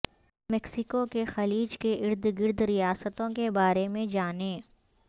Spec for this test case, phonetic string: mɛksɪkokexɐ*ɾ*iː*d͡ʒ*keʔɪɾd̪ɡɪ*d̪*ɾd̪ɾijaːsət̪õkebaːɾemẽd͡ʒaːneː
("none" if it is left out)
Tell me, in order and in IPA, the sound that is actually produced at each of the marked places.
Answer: l, d͡ʒ, none

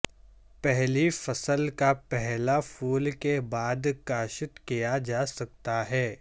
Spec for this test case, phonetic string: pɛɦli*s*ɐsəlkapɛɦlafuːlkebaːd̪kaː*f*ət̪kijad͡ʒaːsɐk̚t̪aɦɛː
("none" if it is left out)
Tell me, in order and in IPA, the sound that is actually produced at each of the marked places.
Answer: f, ʃ

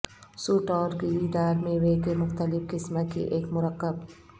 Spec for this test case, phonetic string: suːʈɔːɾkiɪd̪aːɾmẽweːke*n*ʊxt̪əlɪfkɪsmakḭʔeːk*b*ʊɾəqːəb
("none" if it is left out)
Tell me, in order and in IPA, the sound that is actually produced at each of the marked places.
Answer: m, m

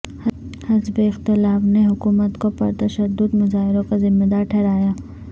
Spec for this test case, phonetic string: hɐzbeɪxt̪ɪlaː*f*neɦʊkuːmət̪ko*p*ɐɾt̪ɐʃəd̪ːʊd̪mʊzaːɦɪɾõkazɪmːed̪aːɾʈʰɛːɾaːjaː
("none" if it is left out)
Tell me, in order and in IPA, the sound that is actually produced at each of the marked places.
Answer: f, p

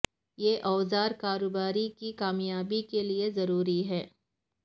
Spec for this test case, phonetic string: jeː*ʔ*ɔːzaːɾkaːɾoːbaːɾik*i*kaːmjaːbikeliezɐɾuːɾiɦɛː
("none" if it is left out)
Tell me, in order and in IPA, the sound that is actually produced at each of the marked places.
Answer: ʔ, i

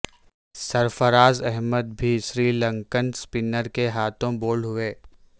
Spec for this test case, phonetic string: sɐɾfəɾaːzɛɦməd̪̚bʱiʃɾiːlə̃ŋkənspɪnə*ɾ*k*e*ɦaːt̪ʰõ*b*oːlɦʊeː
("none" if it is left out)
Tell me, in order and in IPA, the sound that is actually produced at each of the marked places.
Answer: ɾ, e, b

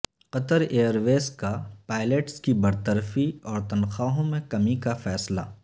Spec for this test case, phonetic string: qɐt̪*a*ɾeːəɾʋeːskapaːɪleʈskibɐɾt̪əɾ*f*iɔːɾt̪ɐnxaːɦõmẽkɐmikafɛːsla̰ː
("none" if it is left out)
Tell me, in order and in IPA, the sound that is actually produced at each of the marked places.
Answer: ə, f

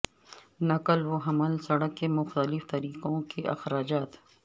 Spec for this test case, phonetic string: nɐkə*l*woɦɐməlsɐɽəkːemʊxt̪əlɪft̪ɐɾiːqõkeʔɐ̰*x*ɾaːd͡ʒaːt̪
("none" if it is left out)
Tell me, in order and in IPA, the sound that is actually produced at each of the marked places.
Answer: l, x

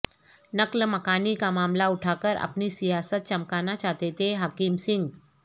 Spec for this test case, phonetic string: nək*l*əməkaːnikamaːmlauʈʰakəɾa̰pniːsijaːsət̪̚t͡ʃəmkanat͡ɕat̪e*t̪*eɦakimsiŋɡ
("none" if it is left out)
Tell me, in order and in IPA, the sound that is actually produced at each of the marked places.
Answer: l, t̪

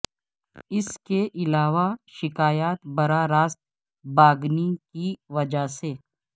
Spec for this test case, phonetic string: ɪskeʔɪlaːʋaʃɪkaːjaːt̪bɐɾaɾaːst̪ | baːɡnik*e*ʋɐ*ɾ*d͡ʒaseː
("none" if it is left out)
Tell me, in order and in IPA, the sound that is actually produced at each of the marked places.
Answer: i, none

